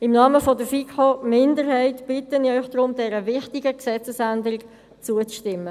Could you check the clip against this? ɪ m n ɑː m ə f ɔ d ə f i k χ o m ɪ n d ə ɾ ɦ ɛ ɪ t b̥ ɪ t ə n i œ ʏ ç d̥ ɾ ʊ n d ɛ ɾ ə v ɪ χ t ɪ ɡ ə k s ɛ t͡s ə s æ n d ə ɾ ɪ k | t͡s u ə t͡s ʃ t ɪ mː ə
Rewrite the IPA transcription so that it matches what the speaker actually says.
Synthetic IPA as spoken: ɪ m n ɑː m ə f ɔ d ə f i k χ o m ɪ n d ə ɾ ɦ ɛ ɪ t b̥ ɪ t ə n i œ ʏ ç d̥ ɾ ʊ m d ɛ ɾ ə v ɪ χ t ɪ ɡ ə k s ɛ t͡s ə s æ n d ə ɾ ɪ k | t͡s u ə t͡s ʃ t ɪ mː ə